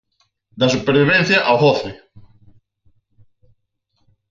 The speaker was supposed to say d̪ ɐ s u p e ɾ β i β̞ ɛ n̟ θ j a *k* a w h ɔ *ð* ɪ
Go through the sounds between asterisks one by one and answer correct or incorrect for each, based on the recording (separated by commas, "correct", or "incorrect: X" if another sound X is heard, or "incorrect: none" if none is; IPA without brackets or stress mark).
incorrect: ʔ, incorrect: θ